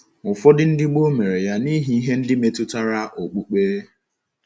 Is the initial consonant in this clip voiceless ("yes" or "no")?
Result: yes